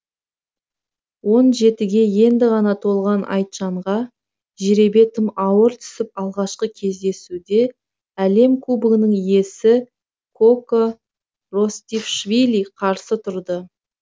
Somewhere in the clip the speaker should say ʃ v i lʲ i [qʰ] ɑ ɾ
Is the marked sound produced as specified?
yes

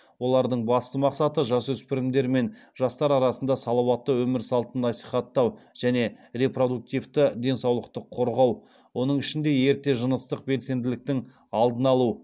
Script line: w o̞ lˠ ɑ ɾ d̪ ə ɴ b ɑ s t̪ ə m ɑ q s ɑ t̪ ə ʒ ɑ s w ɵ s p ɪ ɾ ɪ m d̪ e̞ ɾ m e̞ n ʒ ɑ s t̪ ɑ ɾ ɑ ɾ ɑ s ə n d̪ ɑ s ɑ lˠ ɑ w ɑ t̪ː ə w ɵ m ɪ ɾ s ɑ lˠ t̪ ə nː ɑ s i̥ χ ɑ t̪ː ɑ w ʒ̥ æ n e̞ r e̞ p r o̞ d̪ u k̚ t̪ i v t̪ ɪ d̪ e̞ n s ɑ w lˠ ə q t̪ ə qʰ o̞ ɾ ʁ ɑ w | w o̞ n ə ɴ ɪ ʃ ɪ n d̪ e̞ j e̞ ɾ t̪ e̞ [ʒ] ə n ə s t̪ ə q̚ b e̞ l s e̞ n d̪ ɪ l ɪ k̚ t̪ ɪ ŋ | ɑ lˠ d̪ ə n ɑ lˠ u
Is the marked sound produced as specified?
yes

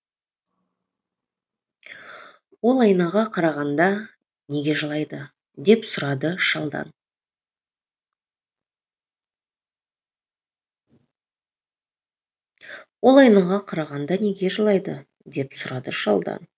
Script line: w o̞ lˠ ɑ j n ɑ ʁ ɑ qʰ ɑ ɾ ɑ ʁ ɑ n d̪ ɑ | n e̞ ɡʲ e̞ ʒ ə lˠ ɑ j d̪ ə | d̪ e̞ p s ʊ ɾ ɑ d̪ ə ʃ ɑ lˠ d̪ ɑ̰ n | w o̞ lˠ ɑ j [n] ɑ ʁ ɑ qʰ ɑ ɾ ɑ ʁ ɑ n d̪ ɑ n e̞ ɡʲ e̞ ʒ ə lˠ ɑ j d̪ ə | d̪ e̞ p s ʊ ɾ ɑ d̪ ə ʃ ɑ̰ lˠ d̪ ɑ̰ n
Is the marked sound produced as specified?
yes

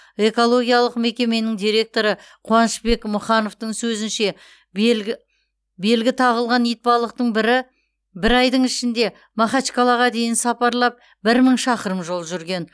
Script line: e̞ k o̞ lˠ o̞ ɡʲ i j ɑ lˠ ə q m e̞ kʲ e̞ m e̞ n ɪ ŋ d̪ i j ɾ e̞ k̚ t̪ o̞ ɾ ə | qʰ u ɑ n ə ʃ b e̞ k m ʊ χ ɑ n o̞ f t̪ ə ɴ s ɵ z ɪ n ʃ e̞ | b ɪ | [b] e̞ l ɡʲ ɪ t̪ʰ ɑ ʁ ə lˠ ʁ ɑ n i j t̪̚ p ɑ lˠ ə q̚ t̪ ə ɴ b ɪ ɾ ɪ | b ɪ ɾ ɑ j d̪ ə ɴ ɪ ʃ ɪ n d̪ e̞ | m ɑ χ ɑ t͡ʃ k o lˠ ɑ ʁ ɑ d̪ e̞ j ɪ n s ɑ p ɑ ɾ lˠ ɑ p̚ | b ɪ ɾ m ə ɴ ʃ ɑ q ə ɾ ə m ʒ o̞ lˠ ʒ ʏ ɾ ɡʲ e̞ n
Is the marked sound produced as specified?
yes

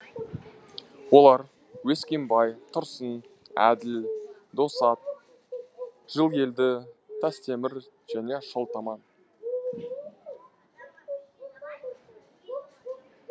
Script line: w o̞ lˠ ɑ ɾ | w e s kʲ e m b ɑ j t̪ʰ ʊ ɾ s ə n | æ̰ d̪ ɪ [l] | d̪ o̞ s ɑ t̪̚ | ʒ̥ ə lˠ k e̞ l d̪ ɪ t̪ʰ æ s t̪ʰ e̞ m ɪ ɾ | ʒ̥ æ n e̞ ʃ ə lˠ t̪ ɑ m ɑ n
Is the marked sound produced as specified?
yes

